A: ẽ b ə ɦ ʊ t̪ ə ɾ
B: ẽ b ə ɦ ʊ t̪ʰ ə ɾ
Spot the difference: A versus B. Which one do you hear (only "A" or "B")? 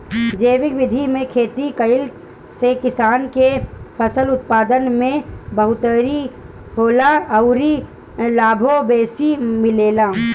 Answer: A